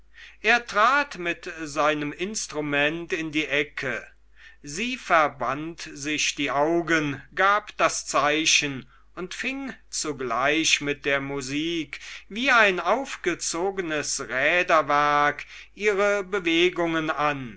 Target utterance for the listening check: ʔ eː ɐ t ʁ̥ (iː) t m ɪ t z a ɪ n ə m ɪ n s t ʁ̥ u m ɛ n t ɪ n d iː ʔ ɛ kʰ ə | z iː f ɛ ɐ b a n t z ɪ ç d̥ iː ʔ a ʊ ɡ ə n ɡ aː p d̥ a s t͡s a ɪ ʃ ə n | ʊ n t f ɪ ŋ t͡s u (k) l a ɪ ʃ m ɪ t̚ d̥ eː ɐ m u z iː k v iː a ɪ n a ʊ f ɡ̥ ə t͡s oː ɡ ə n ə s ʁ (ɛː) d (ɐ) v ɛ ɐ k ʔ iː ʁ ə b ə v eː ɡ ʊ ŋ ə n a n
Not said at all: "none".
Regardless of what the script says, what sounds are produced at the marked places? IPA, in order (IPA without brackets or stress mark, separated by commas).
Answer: aː, ɡ, ɛː, ɐ